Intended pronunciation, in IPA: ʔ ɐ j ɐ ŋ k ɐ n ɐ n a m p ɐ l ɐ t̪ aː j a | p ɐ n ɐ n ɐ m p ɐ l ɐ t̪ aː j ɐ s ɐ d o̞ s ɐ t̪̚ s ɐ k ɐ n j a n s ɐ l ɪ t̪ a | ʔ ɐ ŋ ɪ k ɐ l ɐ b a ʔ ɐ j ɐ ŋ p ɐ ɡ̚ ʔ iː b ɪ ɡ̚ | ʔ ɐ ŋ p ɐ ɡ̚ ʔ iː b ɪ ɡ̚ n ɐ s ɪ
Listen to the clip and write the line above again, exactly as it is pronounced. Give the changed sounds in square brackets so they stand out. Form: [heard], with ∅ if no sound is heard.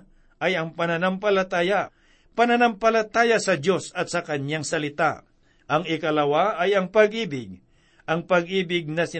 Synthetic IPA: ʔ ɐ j ɐ ŋ [p] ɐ n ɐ n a m p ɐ l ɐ t̪ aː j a | p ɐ n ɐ n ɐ m p ɐ l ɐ t̪ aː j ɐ s ɐ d o̞ s ɐ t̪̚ s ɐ k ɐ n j a [ŋ] s ɐ l ɪ t̪ a | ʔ ɐ ŋ ɪ k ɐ l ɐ [w] a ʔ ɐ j ɐ ŋ p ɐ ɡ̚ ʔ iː b ɪ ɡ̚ | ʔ ɐ ŋ p ɐ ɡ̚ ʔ iː b ɪ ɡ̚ n ɐ s ɪ